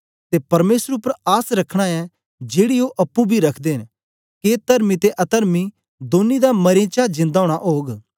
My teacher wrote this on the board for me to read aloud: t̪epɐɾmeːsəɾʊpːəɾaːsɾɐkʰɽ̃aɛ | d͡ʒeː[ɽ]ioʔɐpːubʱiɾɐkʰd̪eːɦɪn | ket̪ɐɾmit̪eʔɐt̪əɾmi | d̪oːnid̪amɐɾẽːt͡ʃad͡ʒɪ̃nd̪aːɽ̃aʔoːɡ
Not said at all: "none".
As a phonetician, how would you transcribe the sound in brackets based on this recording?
ɽ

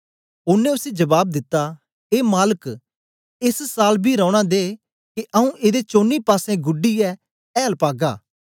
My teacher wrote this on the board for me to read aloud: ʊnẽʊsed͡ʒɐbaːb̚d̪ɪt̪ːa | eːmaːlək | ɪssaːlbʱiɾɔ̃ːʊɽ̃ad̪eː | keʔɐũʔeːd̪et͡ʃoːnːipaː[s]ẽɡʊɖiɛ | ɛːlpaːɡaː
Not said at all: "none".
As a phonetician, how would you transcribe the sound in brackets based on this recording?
s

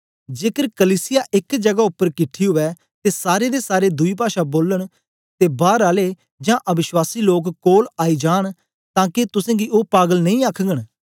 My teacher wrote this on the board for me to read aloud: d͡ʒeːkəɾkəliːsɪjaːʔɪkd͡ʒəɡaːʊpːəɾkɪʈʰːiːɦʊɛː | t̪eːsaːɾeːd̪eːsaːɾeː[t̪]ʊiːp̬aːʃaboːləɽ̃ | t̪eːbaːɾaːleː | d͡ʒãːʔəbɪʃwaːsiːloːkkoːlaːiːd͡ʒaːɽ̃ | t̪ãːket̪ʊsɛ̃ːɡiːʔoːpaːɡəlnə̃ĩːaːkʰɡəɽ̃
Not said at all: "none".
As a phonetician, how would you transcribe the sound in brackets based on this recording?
d̪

